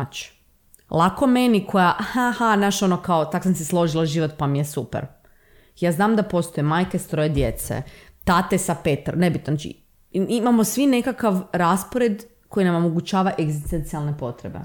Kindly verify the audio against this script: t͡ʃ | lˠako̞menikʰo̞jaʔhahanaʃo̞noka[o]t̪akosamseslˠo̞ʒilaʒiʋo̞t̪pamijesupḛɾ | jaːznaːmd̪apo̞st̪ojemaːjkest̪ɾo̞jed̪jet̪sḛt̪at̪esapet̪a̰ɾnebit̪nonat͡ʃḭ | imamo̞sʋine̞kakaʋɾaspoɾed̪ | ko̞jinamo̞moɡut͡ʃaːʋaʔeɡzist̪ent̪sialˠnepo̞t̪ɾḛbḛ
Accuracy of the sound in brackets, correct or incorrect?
correct